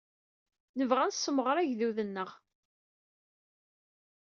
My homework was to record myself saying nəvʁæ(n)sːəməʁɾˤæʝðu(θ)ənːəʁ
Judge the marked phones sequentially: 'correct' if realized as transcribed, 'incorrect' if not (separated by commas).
correct, incorrect